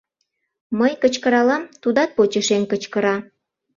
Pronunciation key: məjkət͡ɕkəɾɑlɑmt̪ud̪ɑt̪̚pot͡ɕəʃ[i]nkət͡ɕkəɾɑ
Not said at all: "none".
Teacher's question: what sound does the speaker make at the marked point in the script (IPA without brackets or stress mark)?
e